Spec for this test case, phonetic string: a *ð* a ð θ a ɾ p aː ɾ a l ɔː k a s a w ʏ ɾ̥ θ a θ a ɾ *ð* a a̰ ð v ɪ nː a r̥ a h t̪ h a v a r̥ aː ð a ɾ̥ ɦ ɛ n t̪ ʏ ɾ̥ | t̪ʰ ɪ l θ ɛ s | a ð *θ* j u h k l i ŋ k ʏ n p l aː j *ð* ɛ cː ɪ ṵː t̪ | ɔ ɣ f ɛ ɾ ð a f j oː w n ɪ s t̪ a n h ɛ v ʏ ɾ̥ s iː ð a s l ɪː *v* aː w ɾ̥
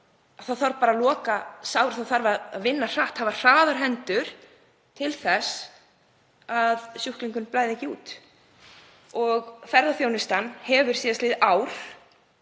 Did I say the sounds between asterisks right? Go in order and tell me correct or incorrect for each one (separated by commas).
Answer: incorrect, incorrect, incorrect, correct, incorrect